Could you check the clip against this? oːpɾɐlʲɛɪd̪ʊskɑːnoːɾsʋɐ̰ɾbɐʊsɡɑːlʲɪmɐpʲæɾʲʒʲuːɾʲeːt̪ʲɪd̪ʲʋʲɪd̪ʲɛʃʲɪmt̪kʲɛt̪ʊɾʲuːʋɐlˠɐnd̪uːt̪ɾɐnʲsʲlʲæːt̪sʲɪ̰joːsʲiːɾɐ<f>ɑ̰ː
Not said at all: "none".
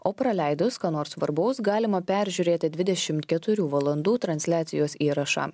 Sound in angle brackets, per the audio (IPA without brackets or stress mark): ʃ